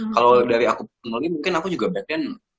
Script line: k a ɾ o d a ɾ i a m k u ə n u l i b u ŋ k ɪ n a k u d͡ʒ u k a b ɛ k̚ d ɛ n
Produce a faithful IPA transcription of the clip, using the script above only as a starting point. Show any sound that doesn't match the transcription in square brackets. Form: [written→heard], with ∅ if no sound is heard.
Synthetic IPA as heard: k a [ɾ→l] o d a ɾ i a [m→∅] k u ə n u l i [b→m] u ŋ k ɪ n a k u d͡ʒ u [k→ɡ] a b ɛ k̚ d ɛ n